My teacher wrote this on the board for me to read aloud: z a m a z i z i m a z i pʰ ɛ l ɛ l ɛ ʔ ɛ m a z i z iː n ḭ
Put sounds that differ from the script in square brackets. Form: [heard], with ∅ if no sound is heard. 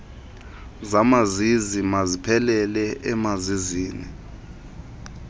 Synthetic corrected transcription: z a m a z i z i m a z i pʰ ɛ l ɛ l ɛ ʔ ɛ m a z i z iː n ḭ

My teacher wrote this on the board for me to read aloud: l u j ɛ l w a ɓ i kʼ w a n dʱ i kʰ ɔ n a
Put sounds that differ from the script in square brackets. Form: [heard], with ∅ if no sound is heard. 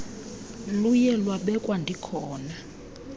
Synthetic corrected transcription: l u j ɛ l w a ɓ [ɛ] kʼ w a n dʱ i kʰ [ɔː] n a

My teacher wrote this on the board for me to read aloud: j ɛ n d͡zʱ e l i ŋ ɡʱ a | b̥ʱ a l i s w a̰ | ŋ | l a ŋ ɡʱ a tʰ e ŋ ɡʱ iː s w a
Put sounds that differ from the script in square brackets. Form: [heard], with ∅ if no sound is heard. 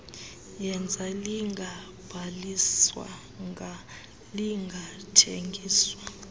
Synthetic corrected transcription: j ɛ n d͡zʱ [a] l i ŋ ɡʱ a | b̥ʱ a l i s w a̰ | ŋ | l [i] ŋ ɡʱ a tʰ e ŋ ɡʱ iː s w a

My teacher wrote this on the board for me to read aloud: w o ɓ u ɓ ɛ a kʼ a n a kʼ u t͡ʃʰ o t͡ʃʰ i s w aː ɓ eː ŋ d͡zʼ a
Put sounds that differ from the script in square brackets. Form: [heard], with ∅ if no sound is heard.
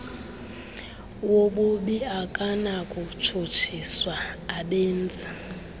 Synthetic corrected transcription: w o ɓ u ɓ [i] a kʼ a n a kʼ u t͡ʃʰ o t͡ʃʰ i s w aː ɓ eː [n] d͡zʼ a

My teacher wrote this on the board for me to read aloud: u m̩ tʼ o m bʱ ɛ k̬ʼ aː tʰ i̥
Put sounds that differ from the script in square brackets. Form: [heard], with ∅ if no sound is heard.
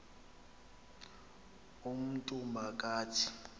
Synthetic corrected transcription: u m̩ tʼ [u] m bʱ [a] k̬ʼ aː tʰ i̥

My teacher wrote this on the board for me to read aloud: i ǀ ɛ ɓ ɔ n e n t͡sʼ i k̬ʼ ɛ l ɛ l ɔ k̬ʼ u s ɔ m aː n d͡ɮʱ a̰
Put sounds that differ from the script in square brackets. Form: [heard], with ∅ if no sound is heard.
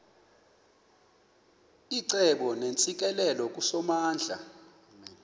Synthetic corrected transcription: i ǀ ɛ ɓ ɔ n e n t͡sʼ i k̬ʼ ɛ l ɛ l ɔ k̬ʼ u s ɔ m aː n d͡ɮʱ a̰

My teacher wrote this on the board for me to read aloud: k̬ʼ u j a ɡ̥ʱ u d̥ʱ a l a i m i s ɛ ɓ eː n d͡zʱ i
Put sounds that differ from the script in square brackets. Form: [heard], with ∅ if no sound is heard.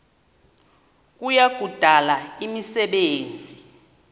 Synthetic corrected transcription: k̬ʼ u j a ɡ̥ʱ u d̥ʱ a l a i m i s ɛ ɓ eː n d͡zʱ i

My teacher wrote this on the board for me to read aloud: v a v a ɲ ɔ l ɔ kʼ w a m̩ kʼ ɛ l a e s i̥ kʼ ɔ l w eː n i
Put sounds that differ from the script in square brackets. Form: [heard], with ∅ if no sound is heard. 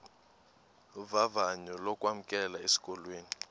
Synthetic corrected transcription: v a v a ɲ ɔ l ɔ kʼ w a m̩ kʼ ɛ l a e s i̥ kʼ ɔ l w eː n i

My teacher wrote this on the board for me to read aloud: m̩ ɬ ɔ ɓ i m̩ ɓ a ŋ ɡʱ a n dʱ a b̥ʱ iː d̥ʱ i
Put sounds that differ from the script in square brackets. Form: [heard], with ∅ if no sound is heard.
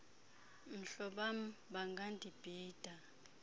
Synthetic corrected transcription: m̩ ɬ ɔ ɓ [a] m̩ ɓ a ŋ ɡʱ a n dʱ [i] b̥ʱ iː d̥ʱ [a]

